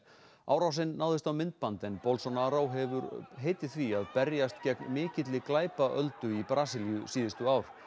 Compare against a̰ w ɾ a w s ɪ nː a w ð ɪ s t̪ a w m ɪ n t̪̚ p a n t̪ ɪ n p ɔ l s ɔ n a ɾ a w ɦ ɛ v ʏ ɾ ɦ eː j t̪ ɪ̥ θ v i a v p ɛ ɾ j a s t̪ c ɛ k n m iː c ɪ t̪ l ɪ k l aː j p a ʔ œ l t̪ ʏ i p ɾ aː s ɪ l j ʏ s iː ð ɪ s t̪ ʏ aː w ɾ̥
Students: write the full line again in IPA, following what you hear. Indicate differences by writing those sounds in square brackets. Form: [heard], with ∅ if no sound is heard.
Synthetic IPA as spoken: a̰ w ɾ a w s ɪ nː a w ð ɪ s t̪ a w m ɪ n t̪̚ p a n t̪ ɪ n p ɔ l s ɔ n a ɾ a w ɦ ɛ v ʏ ɾ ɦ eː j t̪ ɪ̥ θ v i a [ð] p ɛ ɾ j a s t̪ c ɛ k n m [ɪː] c ɪ t̪ l ɪ k l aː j p a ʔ œ l t̪ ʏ i p ɾ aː s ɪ l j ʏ s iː ð ɪ s t̪ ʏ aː w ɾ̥